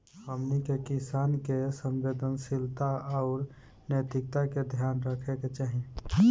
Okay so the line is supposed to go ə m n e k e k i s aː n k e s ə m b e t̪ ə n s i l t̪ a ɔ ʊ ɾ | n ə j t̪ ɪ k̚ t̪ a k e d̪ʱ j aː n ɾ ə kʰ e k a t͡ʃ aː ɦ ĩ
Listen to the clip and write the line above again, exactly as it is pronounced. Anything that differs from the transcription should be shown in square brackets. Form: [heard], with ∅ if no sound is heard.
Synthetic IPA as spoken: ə m n [i] k e k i s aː n k e s ə m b e [d̪] ə n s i l t̪ a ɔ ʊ ɾ | n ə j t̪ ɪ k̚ t̪ a k e d̪ʱ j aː n ɾ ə kʰ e k [e] t͡ʃ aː ɦ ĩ